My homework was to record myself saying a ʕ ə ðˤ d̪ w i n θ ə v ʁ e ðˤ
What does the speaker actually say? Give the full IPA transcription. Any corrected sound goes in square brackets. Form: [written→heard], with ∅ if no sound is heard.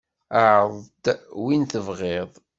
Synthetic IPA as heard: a ʕ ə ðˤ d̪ w i n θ ə v ʁ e ðˤ